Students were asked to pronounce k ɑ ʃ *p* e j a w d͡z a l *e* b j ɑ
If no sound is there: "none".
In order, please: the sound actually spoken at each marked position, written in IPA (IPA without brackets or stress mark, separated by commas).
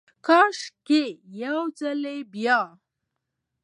k, e